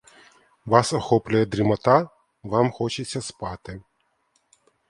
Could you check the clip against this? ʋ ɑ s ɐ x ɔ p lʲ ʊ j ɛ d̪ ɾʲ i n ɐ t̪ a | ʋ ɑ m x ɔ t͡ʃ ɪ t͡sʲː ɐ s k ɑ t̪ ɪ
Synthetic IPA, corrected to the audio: ʋ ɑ s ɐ x ɔ p lʲ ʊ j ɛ d̪ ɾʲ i m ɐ t̪ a | ʋ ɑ m x ɔ t͡ʃ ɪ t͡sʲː ɐ s p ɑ t̪ ɪ

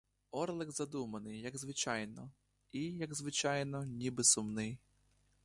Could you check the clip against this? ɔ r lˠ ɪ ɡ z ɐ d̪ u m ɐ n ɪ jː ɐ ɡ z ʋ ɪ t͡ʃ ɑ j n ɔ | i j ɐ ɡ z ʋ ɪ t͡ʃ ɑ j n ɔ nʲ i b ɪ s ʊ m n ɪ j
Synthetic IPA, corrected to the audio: ɔ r lˠ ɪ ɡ z ɐ d̪ u m ɐ n ɪ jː ɐ ɡ z ʋ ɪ t͡ʃ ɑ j n ɔ | i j ɐ ɡ z ʋ ɪ t͡ʃ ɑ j n ɔ nʲ i b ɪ s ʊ m n ɪ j

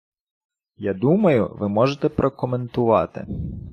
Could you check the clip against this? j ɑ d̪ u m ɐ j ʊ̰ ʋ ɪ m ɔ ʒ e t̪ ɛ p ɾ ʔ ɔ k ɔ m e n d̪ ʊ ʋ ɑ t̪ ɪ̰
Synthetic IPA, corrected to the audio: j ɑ d̪ u m ɐ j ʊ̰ ʋ ɪ m ɔ ʒ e t̪ ɛ p ɾ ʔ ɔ k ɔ m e n t̪ ʊ ʋ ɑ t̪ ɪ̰

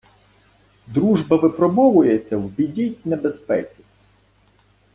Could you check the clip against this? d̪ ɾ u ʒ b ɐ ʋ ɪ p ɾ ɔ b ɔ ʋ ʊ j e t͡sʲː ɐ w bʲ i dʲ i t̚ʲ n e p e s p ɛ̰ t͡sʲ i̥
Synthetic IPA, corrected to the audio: d̪ ɾ u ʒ b ɐ ʋ ɪ p ɾ ɔ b ɔ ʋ ʊ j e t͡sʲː ɐ w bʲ i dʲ i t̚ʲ n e b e s p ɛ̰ t͡sʲ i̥

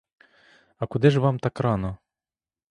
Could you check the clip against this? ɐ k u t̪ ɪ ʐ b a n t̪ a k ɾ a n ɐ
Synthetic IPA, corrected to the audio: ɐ k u d̪ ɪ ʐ v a m t̪ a k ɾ a n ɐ

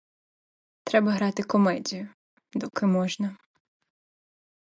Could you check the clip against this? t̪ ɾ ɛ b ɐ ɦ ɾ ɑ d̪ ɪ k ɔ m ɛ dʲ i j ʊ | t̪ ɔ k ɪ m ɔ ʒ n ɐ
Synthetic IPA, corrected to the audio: t̪ ɾ ɛ b ɐ ɦ ɾ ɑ t̪ ɪ k ɔ m ɛ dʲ i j ʊ | d̪ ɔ k ɪ m ɔ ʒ n ɐ

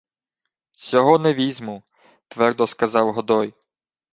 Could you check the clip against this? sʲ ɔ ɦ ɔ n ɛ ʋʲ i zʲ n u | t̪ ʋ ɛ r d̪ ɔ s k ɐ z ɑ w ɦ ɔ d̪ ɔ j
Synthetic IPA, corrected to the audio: sʲ ɔ ɦ ɔ n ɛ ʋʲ i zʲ m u | t̪ ʋ ɛ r d̪ ɔ s k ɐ z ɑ w ɦ ɔ d̪ ɔ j

